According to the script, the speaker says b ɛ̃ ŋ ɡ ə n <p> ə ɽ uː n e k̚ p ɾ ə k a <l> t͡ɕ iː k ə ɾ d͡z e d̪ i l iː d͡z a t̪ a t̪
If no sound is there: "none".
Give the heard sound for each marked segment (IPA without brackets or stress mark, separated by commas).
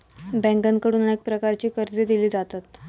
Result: k, ɾ